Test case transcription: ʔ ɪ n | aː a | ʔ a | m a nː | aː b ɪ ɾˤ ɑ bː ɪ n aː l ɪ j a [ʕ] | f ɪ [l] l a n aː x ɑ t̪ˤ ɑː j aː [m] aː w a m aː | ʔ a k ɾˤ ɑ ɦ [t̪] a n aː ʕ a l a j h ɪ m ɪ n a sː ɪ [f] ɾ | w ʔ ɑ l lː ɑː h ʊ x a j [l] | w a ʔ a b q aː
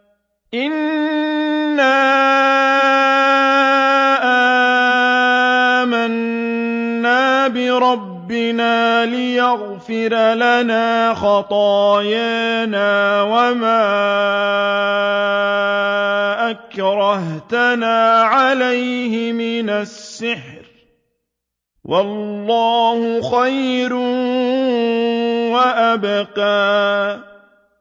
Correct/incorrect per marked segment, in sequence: incorrect, incorrect, incorrect, correct, incorrect, incorrect

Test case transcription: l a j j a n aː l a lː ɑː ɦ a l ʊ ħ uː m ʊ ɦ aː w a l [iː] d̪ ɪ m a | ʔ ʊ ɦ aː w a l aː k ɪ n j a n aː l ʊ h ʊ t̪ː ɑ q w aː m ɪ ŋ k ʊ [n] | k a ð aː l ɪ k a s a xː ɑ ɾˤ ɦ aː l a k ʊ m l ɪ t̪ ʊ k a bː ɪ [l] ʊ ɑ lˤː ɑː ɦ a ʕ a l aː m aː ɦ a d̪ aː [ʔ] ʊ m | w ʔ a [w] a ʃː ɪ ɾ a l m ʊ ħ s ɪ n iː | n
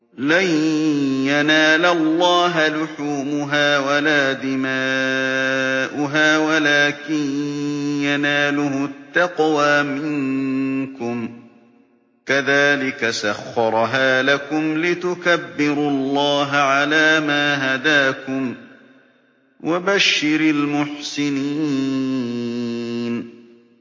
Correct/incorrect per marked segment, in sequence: incorrect, incorrect, incorrect, incorrect, incorrect

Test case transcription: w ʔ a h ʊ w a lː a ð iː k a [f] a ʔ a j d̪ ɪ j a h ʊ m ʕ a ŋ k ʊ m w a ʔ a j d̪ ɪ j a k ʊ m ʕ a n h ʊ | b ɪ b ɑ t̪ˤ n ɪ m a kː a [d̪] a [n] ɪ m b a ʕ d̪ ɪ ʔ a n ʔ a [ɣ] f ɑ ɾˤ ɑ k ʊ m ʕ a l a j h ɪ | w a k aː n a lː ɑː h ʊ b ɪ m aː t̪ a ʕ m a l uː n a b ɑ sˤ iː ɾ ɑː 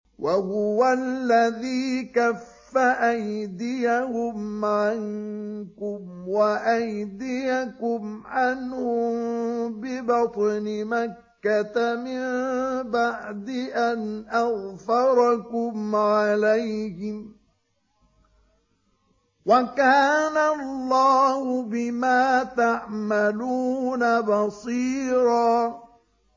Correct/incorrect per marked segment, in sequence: incorrect, incorrect, incorrect, correct

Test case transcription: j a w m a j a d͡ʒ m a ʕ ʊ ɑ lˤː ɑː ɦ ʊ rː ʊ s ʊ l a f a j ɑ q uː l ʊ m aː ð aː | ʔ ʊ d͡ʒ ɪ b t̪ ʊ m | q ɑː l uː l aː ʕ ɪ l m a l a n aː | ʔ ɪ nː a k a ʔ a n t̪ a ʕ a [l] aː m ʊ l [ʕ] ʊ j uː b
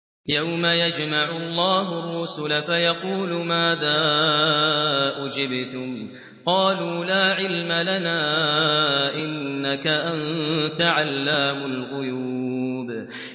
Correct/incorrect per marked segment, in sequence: incorrect, incorrect

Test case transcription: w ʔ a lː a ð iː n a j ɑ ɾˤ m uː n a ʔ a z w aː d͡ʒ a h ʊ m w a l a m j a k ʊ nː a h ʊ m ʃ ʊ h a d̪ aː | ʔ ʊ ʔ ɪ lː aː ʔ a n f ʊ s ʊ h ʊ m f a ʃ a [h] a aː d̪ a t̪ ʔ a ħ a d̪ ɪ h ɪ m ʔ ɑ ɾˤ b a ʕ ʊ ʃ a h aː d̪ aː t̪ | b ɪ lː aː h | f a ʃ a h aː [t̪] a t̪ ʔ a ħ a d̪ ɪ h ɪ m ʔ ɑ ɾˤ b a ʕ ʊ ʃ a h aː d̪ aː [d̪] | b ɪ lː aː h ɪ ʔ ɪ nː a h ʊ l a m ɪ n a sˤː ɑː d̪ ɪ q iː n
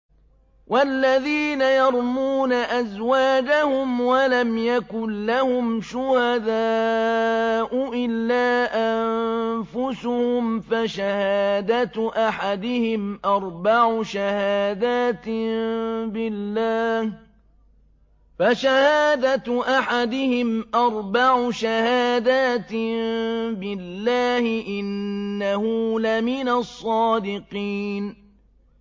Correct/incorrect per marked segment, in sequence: correct, incorrect, incorrect

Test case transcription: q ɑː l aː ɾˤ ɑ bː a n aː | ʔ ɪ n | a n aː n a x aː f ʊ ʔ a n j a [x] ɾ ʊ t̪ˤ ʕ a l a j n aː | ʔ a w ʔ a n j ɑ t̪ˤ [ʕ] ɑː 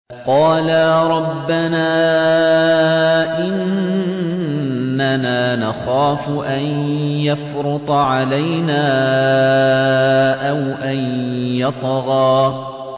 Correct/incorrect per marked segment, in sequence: incorrect, incorrect

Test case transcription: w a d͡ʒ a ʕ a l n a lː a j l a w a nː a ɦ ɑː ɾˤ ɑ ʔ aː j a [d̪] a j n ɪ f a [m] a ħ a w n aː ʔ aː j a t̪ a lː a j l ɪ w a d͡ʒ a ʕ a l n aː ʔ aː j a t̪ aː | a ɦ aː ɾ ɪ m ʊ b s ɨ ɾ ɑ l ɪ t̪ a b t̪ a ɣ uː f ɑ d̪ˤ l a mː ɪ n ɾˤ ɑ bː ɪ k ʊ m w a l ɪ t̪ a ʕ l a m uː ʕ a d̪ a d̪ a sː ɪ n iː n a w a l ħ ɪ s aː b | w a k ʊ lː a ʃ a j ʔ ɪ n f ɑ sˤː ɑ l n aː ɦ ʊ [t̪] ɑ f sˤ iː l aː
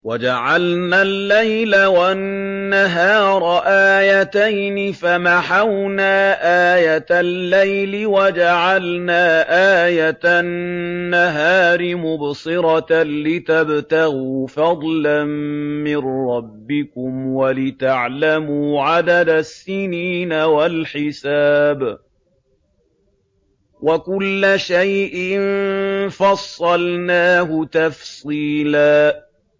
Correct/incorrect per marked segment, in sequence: incorrect, correct, correct

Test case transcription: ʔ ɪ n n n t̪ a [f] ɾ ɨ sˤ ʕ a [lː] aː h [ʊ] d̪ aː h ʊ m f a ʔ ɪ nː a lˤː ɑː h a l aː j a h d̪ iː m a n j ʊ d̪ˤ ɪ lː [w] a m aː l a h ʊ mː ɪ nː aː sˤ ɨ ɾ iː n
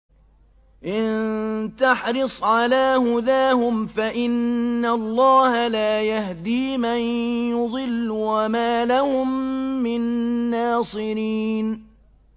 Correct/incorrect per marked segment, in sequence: incorrect, incorrect, correct, correct

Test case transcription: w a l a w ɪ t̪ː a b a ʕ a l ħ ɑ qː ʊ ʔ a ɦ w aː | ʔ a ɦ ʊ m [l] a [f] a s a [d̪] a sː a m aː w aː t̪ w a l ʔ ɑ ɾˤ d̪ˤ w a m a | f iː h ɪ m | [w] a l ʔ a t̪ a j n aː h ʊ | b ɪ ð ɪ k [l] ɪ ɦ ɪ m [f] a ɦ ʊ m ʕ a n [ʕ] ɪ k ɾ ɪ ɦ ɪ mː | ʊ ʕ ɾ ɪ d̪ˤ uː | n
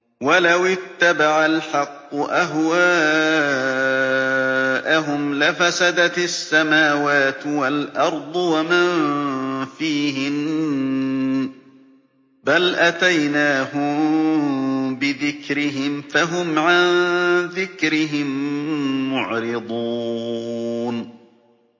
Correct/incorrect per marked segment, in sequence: correct, correct, correct, incorrect, incorrect, correct, incorrect

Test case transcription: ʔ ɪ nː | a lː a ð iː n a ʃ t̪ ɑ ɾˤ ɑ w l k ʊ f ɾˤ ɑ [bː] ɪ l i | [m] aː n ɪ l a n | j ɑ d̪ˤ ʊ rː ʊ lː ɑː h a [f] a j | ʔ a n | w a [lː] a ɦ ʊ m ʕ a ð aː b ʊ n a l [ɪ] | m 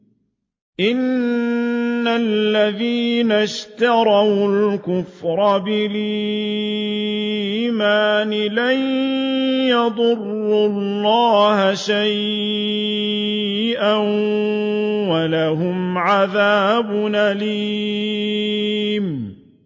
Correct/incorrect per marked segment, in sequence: incorrect, correct, incorrect, incorrect, incorrect

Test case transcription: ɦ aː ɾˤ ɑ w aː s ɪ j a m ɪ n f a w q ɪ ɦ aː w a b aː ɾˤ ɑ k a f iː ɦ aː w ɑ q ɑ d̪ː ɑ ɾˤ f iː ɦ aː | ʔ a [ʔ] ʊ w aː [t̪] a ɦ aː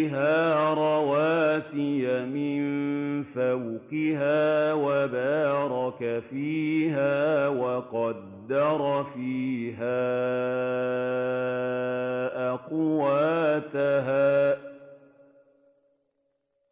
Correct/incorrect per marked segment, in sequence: incorrect, correct

